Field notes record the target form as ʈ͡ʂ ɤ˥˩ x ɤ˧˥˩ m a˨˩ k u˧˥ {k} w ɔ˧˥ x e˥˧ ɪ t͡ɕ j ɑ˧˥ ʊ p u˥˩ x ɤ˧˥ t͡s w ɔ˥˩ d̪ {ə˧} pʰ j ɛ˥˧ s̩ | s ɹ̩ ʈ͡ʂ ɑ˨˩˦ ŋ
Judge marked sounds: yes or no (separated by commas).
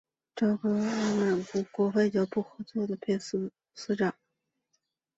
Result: yes, no